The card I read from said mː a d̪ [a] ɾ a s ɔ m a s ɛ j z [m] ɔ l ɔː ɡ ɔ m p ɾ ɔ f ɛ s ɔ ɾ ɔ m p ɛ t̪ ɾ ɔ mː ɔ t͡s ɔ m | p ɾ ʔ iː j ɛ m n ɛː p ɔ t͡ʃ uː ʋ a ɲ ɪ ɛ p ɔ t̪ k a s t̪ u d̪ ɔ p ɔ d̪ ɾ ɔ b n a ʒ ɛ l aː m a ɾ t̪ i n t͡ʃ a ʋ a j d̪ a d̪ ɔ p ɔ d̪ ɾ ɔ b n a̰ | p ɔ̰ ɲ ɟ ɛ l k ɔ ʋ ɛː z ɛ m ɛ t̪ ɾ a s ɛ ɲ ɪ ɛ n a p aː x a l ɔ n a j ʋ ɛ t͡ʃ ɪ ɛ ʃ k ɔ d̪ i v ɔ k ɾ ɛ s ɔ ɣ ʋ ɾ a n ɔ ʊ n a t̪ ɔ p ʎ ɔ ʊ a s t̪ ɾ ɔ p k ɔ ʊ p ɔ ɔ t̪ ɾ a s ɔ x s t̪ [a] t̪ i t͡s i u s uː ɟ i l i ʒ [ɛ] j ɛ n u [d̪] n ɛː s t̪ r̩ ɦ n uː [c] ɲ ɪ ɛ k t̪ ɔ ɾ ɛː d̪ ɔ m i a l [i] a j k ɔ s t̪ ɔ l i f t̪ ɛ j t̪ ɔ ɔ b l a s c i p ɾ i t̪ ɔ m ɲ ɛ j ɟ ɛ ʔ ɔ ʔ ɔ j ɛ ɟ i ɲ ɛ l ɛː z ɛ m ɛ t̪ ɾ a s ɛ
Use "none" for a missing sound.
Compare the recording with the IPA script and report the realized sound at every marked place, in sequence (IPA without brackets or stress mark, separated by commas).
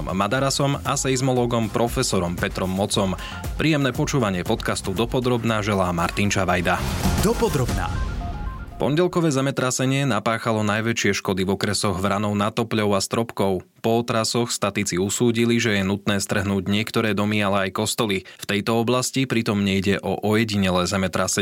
a, m, a, ɛ, t̪, ɟ, ɛ